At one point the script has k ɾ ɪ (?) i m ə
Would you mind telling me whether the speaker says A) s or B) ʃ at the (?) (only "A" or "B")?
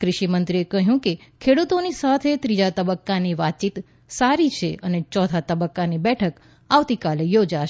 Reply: B